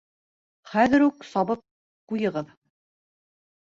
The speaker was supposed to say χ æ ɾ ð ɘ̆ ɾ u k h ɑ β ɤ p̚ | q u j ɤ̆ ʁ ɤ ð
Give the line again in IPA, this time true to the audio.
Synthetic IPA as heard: χ æ ð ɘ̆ ɾ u k s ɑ β ɤ p̚ | q u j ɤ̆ ʁ ɤ ð